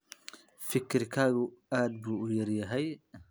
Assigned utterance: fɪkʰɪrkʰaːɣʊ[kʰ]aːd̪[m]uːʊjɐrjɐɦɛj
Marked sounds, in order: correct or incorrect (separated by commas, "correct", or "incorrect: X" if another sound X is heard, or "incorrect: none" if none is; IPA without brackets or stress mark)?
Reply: incorrect: none, incorrect: b